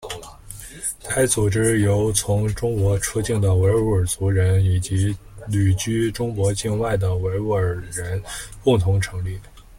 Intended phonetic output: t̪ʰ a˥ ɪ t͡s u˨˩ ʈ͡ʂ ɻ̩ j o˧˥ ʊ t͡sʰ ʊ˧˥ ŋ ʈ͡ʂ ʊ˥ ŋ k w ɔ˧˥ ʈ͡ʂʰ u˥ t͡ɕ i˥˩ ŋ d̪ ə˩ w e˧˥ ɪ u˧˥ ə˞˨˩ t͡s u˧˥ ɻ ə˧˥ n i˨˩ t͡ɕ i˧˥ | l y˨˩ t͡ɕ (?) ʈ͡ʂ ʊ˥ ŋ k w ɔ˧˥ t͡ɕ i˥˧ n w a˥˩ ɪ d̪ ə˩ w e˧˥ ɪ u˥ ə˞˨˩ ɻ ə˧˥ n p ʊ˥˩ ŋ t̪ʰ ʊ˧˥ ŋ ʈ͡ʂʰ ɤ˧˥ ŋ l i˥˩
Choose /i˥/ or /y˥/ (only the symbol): y˥